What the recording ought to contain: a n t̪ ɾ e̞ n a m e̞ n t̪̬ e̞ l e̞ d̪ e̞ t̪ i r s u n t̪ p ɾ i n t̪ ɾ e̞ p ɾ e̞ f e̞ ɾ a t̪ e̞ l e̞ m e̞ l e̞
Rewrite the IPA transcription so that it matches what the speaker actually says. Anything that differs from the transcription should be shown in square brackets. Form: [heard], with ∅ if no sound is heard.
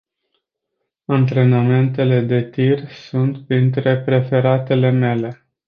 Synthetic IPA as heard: a n t̪ ɾ e̞ n a m e̞ n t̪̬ e̞ l e̞ d̪ e̞ t̪ i r s u n t̪ p ɾ i n t̪ ɾ e̞ p ɾ e̞ f e̞ ɾ a t̪ e̞ l e̞ m e̞ l e̞